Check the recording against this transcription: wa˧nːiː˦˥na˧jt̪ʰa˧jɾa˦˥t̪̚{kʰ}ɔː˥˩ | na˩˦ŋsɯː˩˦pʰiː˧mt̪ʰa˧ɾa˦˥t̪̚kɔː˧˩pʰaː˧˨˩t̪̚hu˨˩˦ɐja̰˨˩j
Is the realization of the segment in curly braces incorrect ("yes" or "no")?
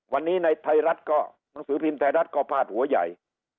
yes